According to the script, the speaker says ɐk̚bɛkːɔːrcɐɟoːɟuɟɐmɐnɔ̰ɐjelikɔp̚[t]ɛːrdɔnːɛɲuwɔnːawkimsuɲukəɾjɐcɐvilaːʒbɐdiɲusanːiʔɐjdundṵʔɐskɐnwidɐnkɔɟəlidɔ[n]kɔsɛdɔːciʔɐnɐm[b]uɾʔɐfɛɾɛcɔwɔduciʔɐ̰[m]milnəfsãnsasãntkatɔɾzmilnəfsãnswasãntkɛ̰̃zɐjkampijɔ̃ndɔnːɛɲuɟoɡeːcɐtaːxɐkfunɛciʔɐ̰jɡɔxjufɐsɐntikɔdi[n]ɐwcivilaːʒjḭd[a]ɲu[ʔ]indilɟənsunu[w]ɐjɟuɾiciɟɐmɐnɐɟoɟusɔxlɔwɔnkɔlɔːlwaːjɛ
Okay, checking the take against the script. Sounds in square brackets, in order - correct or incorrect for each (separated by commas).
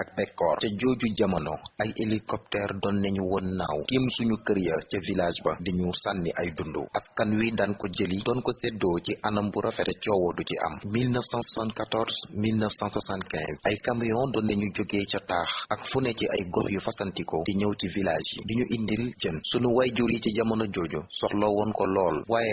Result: correct, correct, correct, correct, incorrect, incorrect, correct, correct